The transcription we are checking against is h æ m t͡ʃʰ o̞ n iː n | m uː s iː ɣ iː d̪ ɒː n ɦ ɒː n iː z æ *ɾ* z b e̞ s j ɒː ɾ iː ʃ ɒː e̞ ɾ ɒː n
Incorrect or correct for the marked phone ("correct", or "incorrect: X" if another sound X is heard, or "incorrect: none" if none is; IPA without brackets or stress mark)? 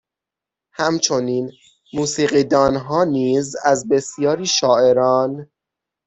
incorrect: none